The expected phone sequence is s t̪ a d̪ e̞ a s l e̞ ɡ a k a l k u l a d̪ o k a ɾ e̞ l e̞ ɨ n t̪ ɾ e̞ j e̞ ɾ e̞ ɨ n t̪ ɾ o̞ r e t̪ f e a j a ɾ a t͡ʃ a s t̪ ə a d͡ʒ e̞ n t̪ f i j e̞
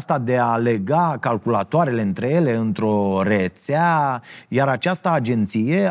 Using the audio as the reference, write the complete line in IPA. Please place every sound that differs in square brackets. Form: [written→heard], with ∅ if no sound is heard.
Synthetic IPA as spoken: s t̪ a d̪ e̞ a [s→∅] l e̞ ɡ a k a l k u l a [d̪→t̪] o [k→∅] a ɾ e̞ l e̞ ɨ n t̪ ɾ e̞ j e̞ [ɾ→l] e̞ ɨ n t̪ ɾ o̞ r e t̪ [f→s] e a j a ɾ a t͡ʃ a s t̪ ə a d͡ʒ e̞ n t̪ [f→s] i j e̞